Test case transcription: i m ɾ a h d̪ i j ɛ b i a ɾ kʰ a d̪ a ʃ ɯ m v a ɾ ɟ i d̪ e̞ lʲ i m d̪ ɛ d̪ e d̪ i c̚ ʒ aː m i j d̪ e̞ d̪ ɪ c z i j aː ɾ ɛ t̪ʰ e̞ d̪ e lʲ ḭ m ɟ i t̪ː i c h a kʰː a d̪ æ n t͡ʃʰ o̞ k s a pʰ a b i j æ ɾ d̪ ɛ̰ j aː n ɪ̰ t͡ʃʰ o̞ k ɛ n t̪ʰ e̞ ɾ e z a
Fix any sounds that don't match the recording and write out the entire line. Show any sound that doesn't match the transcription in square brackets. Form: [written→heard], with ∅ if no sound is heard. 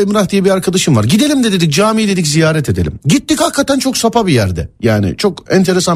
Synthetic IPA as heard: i m ɾ a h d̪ i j ɛ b i a ɾ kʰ a d̪ a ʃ ɯ m v a ɾ ɟ i d̪ e̞ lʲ i m d̪ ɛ d̪ e d̪ i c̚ [ʒ→d͡ʒ] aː m i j d̪ e̞ d̪ [ɪ→i] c z i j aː ɾ ɛ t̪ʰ e̞ d̪ e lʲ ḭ m ɟ i t̪ː i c h a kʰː a [d̪→t̪] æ n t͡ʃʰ o̞ k s a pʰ a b i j æ ɾ d̪ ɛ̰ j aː n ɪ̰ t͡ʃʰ o̞ k ɛ n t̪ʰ e̞ ɾ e [z→s] a